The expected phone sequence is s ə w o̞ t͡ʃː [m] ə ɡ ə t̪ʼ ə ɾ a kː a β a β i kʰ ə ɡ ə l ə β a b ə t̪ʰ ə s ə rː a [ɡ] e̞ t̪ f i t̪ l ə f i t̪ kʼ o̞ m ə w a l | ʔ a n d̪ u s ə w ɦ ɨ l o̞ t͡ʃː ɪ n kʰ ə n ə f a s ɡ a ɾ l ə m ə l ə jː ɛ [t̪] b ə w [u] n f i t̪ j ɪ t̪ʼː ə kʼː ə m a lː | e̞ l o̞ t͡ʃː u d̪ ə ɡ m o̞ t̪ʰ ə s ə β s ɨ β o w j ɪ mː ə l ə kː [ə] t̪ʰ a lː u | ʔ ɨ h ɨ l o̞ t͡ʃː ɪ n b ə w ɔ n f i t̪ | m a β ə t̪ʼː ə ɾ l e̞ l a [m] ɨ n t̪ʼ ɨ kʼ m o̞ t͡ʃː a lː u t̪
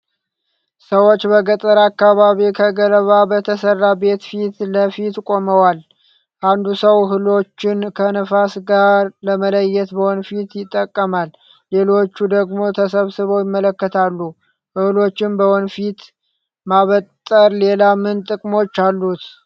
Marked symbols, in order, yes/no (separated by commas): no, no, yes, no, yes, yes